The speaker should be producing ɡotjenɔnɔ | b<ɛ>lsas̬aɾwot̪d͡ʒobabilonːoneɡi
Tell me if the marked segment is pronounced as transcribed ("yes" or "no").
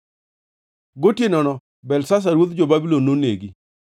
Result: yes